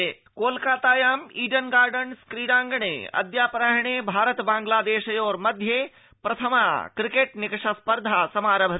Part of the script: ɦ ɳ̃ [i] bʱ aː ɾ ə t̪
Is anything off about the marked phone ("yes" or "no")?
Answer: yes